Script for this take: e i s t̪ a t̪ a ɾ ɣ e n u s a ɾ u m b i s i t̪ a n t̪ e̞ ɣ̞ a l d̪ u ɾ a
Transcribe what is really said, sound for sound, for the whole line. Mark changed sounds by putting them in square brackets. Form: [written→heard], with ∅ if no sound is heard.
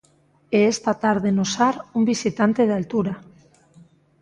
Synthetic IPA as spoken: e [i→e] s t̪ a t̪ a ɾ [ɣ→ð] e n [u→o] s a ɾ u m b i s i t̪ a n t̪ e̞ [ɣ̞→ð̞] a l [d̪→t̪] u ɾ a